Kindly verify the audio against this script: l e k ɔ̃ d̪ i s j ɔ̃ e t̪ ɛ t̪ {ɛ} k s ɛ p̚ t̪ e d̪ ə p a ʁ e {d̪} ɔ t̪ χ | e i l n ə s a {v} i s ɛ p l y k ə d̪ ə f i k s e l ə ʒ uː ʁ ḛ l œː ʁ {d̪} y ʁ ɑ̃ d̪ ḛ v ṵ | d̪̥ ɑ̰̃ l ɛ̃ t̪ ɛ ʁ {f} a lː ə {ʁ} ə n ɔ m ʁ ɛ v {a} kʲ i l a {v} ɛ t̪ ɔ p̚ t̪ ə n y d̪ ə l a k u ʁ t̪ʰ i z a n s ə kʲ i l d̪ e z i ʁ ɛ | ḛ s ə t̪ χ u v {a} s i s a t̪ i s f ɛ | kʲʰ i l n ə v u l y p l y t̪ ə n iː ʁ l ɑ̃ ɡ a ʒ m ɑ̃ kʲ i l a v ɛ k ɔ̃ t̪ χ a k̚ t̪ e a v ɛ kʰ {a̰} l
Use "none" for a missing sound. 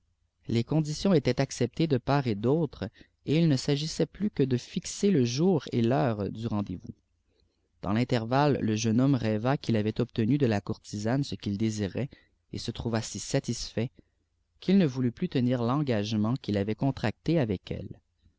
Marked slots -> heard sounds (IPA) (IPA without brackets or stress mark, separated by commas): a, d̪, ʒ, d̪, v, ʒ, a, v, a, ɛ̰